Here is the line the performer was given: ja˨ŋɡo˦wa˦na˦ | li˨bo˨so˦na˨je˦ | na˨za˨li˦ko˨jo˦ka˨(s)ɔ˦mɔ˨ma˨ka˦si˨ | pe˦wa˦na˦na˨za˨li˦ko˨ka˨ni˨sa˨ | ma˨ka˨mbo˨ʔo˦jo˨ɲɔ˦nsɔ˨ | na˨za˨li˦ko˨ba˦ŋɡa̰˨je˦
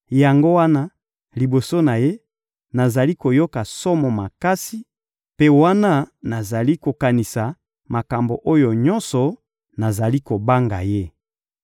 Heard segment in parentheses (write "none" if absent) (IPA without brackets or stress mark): s